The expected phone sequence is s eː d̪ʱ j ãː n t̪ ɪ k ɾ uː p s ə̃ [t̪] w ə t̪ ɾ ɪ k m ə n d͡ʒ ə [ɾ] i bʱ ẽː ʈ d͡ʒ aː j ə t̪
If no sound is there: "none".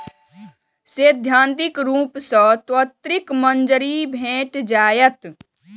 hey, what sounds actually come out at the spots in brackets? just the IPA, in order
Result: t̪, ɾ

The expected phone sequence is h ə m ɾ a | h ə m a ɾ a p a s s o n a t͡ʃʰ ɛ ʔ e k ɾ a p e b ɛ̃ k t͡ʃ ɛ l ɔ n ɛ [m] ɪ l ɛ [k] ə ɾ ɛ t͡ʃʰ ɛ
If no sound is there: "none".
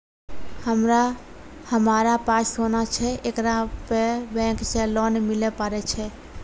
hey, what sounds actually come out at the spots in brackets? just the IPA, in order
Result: m, p

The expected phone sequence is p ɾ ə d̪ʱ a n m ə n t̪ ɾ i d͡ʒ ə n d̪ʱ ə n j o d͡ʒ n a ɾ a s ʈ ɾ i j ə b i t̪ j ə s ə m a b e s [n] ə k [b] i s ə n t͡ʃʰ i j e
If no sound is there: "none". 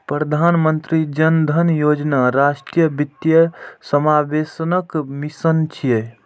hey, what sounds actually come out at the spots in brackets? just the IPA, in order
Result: n, m

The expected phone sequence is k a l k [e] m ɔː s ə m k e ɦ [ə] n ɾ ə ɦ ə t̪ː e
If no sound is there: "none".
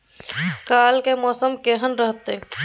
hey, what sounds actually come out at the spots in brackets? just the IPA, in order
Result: e, ə

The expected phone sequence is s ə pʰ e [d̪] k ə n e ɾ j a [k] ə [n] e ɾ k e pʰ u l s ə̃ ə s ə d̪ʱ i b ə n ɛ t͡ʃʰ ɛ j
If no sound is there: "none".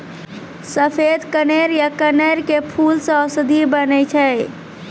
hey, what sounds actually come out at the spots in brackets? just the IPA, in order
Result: d̪, k, n

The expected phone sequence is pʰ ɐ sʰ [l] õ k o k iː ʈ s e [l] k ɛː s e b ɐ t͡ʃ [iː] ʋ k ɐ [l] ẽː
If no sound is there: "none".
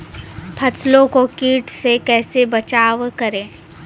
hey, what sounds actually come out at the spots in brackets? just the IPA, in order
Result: l, none, aː, ɾ

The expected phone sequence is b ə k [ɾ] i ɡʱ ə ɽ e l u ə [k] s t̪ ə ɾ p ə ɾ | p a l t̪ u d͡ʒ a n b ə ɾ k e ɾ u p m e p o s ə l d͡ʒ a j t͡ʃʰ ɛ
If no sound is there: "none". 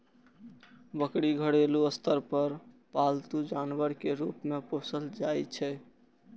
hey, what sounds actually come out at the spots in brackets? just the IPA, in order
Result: ɽ, none

